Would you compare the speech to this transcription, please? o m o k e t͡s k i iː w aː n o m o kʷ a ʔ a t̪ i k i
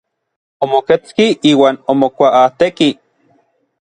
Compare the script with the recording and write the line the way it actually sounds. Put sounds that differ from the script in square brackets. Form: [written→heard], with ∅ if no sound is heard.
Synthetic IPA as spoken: o m o k e t͡s k i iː w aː n o m o kʷ a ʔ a t̪ [i→e] k i